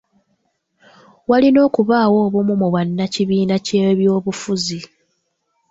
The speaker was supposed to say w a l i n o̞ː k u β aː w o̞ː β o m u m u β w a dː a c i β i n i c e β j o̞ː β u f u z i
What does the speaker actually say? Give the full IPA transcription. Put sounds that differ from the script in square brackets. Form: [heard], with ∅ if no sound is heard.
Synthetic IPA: w a l i n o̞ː k u β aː w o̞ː β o m u m u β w a [nː] a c i β [iː] n [a] c e β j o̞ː β u f u z i

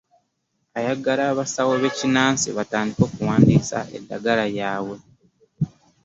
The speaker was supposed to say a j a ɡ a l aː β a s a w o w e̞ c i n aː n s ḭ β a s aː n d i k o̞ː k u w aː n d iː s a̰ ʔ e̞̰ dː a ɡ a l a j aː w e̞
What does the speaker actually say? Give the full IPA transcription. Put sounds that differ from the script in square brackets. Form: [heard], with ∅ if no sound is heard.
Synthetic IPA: a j a ɡ a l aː β a s a w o [β] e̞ c i n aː n s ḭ β a [t] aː n d i k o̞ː k u w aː n d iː s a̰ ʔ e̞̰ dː a ɡ a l a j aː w e̞

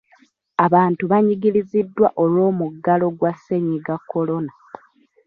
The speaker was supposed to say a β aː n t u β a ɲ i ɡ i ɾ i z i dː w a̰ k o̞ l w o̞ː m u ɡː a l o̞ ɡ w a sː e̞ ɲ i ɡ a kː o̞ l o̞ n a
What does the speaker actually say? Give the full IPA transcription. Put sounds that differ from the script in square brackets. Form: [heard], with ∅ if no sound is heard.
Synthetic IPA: a β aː n t u β a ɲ i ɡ i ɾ i z i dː w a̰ [ʔ] o̞ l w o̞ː m u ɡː a l o̞ ɡ w a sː e̞ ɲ i ɡ a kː o̞ l o̞ n a

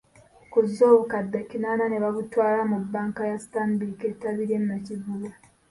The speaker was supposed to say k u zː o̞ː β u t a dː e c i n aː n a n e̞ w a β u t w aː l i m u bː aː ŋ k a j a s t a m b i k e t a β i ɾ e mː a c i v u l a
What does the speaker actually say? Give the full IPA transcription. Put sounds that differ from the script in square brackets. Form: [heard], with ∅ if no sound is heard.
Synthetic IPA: k u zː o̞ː β u [k] a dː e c i n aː n a n e̞ [β] a β u t w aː l [a] m u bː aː ŋ k a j a s t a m b i k e t a β i ɾ e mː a c i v u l a

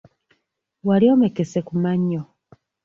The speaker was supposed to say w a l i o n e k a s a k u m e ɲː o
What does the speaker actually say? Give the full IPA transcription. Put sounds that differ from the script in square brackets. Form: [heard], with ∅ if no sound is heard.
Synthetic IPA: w a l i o [m] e k [e] s [e] k u m [a] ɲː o

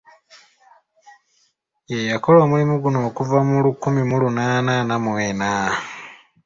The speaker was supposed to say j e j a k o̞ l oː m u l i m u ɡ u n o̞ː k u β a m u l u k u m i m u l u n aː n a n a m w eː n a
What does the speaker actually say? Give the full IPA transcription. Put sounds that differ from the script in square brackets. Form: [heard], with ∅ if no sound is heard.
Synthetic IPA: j e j a k o̞ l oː m u l i m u ɡ u n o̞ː k u [v] a m u l u k u m i m u l u n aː n a n a m w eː n a

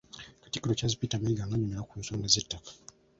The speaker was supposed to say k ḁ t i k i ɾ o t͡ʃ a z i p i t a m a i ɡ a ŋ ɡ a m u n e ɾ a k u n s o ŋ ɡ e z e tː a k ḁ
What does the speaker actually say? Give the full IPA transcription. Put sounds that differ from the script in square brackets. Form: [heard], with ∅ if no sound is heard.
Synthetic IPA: k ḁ t i k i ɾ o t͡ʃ a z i p i t a m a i ɡ a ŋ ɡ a [ɲ] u [m] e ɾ a k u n s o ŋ ɡ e z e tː a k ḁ

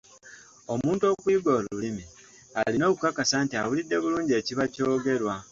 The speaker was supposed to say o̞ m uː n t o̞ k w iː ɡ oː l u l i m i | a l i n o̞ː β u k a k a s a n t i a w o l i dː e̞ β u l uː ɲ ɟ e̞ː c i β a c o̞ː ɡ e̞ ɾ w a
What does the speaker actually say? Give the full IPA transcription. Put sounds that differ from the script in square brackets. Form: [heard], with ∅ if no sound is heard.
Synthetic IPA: o̞ m uː n t o̞ k w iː ɡ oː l u l i m i | a l i n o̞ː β u k a k a s a n t i a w [u] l i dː e̞ β u l uː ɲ ɟ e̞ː c i β a c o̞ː ɡ e̞ ɾ w a

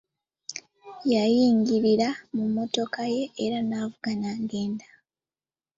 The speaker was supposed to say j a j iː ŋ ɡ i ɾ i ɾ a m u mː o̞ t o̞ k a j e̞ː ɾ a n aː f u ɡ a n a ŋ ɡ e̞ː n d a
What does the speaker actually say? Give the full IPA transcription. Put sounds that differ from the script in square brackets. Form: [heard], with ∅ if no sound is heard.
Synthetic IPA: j a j iː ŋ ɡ i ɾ i ɾ a m u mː o̞ t o̞ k a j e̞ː ɾ a n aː [v] u ɡ a n a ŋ ɡ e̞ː n d a

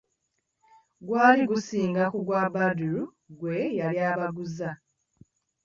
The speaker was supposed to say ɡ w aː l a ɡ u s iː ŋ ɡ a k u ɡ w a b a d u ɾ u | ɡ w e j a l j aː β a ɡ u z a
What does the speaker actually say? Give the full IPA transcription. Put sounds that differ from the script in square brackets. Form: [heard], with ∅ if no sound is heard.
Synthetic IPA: ɡ w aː l [i] ɡ u s iː ŋ ɡ a k u ɡ w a b a d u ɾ u | ɡ w e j a l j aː β a ɡ u z a

